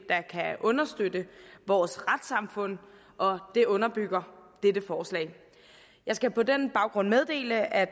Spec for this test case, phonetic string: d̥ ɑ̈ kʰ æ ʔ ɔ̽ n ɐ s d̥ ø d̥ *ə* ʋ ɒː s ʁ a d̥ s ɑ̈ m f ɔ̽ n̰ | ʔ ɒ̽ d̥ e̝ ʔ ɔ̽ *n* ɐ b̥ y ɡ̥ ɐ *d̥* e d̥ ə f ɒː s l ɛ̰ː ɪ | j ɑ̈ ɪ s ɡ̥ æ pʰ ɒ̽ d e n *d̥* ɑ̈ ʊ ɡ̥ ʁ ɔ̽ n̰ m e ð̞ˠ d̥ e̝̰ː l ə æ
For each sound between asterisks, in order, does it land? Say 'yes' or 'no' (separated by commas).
yes, yes, yes, no